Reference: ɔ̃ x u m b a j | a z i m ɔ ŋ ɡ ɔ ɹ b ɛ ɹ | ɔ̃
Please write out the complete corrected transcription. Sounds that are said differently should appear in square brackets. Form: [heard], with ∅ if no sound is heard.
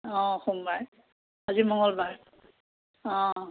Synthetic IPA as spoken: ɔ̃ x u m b a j | a z i m ɔ ŋ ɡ ɔ [l] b [a] ɹ | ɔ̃

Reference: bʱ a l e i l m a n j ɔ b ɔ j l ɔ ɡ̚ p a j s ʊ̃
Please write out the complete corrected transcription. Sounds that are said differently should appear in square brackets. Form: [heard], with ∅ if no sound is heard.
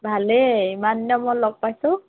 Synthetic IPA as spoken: bʱ a l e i [∅] m a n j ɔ [m] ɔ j l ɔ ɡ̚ p a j s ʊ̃

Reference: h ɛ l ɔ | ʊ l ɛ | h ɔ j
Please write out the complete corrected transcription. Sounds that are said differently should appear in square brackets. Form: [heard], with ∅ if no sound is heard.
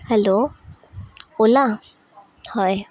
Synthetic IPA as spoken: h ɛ l [o] | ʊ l [a] | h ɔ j

